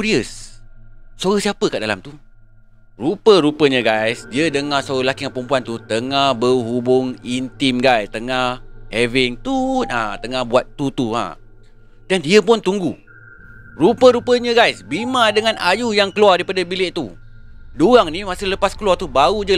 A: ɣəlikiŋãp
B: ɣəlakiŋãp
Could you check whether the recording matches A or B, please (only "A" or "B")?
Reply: B